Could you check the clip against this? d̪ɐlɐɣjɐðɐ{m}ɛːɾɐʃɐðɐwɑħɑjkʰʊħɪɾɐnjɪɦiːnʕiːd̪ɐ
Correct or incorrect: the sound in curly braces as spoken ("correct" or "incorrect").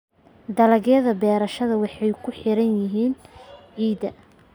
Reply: incorrect